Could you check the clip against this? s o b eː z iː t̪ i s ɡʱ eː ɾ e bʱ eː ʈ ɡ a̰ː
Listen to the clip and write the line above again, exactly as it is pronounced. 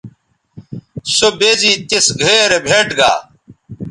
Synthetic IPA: s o b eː z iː t̪ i s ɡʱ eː ɾ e bʱ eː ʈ ɡ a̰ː